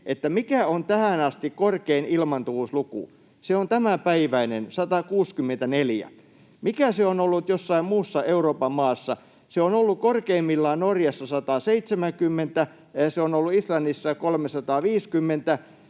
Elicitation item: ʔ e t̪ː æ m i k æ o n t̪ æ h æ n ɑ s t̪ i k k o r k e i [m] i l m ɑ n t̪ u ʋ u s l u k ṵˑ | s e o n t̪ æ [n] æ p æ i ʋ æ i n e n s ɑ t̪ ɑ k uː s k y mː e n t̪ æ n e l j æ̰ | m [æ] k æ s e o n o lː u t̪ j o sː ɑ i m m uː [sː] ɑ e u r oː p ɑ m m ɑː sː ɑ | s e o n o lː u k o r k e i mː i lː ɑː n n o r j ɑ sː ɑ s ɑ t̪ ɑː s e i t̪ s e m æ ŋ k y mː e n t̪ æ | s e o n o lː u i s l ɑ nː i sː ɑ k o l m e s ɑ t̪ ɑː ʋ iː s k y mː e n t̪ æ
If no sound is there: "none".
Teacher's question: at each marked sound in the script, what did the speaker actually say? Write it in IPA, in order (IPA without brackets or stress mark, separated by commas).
n, m, i, sː